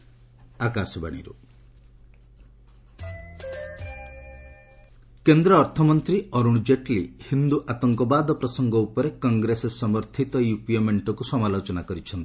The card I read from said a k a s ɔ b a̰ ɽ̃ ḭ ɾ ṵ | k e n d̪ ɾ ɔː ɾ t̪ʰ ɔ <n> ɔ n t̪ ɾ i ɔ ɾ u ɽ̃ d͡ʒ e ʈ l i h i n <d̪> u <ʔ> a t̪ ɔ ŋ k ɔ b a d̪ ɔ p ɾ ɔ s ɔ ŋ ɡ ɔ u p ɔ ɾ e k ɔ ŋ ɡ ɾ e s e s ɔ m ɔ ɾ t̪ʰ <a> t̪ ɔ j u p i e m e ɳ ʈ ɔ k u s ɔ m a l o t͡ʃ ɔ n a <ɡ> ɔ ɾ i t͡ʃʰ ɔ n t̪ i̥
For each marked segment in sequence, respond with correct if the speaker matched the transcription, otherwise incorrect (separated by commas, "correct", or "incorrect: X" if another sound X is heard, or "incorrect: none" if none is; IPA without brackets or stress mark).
incorrect: m, correct, correct, incorrect: i, incorrect: k